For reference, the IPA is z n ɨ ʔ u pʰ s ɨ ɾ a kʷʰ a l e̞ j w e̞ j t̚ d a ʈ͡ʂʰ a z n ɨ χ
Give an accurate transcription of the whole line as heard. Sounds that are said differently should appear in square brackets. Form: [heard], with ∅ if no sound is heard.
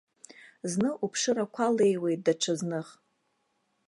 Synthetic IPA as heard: z n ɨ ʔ u pʰ [ʂ] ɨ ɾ a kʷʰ a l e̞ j w e̞ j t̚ d a ʈ͡ʂʰ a z n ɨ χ